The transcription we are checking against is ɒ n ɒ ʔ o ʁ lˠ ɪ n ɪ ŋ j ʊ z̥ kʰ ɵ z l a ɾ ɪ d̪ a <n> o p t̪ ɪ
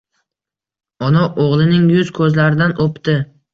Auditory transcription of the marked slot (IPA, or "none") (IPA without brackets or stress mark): n